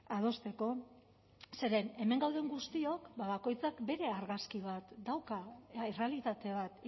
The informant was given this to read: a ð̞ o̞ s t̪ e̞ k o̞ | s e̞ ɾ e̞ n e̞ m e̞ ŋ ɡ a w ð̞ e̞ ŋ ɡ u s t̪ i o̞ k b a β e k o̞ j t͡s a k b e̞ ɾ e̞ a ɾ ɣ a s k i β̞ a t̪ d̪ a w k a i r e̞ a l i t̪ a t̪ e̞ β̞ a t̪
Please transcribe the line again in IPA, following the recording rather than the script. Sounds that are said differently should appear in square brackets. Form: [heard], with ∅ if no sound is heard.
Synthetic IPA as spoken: a ð̞ o̞ s t̪ e̞ k o̞ | s e̞ ɾ e̞ n e̞ m e̞ ŋ ɡ a w ð̞ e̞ ŋ ɡ u s t̪ i o̞ k b a β [a] k o̞ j t͡s a k b e̞ ɾ e̞ a ɾ ɣ a s k i β̞ a t̪ d̪ a w k a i r e̞ a l i t̪ a t̪ e̞ β̞ a t̪